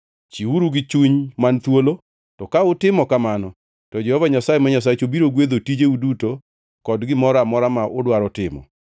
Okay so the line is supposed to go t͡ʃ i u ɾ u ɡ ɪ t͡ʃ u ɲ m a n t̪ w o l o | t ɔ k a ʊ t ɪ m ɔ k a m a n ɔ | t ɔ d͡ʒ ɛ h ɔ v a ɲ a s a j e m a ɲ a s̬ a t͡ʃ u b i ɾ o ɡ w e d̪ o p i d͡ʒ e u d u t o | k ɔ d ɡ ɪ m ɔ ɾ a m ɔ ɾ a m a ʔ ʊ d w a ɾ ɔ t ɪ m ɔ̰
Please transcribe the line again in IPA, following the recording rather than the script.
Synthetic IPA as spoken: t͡ʃ i u ɾ u ɡ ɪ t͡ʃ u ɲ m a n t̪ w o l o | t ɔ k a ʊ t ɪ m ɔ k a m a n ɔ | t ɔ d͡ʒ ɛ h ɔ v a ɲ a s a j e m a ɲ a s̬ a t͡ʃ o b i ɾ o ɡ w e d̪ o t i d͡ʒ e u d u t o | k ɔ d ɡ ɪ m ɔ ɾ a m ɔ ɾ a m a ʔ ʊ d w a ɾ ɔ t ɪ m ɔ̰